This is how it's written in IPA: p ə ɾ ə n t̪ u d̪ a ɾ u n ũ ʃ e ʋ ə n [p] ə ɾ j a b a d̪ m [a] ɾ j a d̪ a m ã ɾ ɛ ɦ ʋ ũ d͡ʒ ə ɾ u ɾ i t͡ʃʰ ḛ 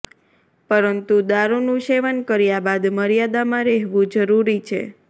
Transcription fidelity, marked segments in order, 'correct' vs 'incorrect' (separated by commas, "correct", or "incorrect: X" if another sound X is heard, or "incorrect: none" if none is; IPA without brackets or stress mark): incorrect: k, incorrect: ə